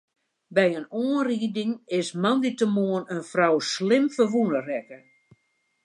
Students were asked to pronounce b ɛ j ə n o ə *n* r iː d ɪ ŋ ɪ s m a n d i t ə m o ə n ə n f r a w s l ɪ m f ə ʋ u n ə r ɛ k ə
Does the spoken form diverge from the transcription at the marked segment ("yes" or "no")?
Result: no